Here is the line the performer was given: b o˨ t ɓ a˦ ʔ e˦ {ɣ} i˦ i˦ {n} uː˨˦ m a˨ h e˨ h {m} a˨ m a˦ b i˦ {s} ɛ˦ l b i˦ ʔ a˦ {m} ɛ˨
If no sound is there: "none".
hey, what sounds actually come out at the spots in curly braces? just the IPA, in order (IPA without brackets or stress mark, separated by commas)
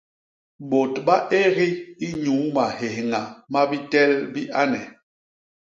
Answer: ɣ, ɲ, ŋ, t, n